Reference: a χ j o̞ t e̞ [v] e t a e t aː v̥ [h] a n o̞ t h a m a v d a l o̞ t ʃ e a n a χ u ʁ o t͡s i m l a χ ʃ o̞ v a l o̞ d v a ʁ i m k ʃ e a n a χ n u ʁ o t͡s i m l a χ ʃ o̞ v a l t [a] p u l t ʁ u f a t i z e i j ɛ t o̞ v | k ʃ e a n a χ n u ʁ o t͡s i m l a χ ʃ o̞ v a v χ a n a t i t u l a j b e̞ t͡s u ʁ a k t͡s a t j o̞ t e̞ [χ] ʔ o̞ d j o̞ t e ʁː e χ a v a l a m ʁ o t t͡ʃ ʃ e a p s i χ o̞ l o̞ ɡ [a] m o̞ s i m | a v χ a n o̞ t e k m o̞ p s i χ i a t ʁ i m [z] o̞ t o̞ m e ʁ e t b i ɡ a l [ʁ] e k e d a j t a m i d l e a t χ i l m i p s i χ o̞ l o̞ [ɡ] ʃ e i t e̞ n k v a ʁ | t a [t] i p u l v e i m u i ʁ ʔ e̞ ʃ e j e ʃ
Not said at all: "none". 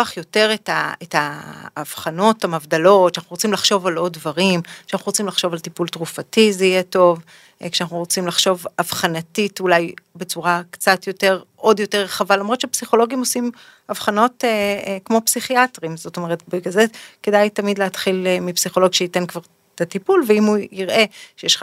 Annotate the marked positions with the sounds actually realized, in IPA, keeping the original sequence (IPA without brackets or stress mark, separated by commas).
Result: ʁ, χ, i, ʁ, i, z, z, ɡ, t